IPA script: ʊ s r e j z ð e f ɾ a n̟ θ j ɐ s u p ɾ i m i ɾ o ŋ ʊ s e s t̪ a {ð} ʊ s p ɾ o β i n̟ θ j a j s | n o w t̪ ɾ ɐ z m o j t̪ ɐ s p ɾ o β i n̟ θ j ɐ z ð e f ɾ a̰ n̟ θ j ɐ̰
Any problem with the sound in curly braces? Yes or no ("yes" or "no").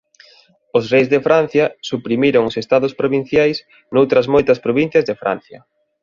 no